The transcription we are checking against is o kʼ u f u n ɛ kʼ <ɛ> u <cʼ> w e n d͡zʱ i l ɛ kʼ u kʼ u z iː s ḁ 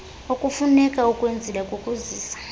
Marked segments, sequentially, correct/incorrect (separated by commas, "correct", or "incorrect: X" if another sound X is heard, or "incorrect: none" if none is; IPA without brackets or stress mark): incorrect: a, incorrect: kʼ